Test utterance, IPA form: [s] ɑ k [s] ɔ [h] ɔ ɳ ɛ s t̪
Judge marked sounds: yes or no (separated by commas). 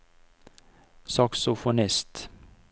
yes, yes, no